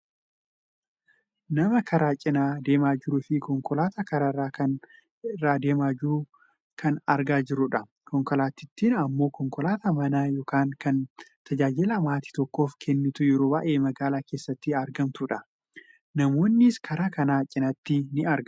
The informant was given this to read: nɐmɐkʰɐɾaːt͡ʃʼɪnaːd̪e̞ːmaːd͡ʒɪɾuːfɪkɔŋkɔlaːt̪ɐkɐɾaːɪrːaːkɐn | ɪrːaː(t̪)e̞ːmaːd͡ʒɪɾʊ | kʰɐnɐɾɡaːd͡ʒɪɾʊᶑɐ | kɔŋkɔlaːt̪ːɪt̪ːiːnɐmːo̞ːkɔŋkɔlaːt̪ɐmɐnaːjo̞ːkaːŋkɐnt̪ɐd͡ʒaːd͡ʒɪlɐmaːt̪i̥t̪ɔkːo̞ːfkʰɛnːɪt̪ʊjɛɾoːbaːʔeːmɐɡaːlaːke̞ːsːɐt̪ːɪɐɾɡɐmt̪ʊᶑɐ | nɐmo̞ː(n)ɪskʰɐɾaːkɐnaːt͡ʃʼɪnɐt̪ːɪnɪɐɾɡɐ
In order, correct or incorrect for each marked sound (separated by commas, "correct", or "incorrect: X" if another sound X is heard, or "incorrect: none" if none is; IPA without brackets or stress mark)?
incorrect: d̪, incorrect: nː